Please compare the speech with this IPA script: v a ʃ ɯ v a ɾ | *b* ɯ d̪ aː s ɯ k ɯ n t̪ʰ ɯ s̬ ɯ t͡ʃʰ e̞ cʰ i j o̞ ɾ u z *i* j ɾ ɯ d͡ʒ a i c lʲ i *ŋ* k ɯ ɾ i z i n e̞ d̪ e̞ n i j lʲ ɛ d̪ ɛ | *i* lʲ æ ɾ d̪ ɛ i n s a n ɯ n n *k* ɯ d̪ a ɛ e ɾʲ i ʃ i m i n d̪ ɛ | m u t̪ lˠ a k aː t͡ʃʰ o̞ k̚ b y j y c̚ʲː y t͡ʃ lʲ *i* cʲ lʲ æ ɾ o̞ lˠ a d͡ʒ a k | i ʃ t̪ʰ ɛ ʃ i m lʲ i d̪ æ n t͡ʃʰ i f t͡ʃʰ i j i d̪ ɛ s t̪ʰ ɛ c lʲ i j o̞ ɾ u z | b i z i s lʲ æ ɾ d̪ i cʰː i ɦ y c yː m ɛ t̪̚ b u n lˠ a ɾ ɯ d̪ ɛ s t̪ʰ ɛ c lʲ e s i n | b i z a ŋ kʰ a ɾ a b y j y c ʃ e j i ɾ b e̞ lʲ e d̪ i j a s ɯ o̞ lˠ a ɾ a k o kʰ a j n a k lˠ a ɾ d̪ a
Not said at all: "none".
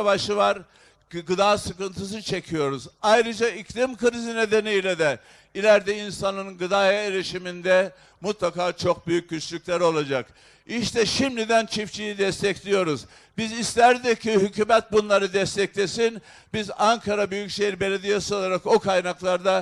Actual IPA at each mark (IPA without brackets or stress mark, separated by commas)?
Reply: ɡ, a, m, i, ɡ, y